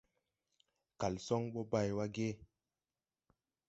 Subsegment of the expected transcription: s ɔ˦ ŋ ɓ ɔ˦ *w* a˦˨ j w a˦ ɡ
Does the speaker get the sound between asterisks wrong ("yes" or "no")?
yes